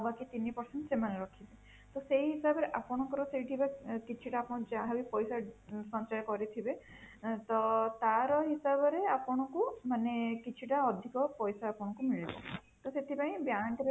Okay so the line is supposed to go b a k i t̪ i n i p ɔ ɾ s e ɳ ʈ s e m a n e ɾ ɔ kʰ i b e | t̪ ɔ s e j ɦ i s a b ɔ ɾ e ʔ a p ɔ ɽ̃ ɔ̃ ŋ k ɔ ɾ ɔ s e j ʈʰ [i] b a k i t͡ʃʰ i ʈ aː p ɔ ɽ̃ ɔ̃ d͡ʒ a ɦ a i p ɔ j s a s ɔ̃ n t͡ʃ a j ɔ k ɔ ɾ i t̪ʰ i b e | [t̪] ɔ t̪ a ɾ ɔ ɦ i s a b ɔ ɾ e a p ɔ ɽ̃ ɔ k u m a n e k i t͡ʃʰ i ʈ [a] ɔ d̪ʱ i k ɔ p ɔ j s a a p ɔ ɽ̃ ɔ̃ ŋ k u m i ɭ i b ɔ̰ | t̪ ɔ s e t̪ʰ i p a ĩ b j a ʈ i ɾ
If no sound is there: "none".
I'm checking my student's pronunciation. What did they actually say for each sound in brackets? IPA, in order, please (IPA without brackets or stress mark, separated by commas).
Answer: i, t̪, a